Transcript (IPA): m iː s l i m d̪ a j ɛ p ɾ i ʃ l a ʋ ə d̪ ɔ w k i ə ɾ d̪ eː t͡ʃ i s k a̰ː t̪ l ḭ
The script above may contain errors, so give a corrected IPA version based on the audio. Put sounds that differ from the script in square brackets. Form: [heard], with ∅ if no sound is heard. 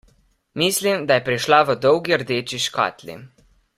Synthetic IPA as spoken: m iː s l i m d̪ a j ɛ p ɾ i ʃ l a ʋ ə d̪ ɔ w [ɡ] i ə ɾ d̪ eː t͡ʃ i [ʃ] k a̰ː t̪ l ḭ